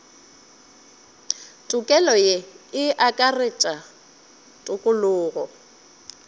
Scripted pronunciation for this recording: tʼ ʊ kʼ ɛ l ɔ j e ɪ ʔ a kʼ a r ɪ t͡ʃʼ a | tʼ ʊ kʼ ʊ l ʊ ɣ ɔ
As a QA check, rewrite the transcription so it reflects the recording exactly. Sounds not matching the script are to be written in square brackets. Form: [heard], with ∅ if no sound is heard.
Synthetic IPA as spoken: tʼ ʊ kʼ ɛ l ɔ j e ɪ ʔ a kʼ a r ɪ t͡ʃʼ a | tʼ ʊ kʼ ʊ l [ʊː] ɣ ɔ

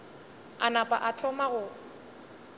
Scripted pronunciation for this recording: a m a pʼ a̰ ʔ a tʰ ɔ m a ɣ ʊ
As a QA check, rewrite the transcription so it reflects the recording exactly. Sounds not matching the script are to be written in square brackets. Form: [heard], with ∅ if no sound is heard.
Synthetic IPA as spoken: a [n] a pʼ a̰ ʔ a tʰ ɔ m a ɣ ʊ

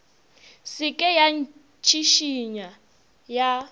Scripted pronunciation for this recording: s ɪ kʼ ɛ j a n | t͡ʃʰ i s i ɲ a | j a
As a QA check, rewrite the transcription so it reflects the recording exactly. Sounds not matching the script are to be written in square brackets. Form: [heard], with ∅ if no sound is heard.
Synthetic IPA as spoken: s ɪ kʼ ɛ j a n | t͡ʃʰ i [ʃ] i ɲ a | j a

